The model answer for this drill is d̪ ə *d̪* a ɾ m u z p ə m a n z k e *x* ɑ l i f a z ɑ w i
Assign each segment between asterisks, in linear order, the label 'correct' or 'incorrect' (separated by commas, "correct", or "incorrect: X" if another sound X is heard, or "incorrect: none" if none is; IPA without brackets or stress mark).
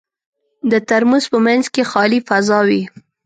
incorrect: t̪, correct